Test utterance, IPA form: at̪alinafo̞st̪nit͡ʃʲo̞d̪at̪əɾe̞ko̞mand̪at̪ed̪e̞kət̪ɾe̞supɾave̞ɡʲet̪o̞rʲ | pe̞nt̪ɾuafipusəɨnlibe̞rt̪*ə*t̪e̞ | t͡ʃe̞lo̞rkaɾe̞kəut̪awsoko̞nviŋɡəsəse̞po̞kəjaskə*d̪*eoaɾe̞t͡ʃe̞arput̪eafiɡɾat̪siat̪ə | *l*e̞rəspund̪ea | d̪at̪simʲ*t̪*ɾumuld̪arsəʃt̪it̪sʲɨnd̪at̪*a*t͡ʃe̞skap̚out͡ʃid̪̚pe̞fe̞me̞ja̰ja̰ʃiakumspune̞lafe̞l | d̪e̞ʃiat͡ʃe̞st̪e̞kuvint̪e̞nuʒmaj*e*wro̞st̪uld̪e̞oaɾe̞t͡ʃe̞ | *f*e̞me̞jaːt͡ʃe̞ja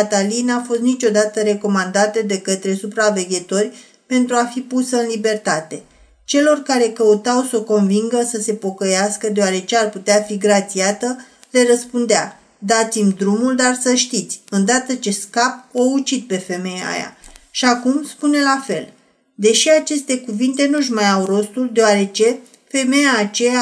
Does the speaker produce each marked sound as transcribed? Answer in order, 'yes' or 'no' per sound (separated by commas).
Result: no, yes, yes, no, no, no, yes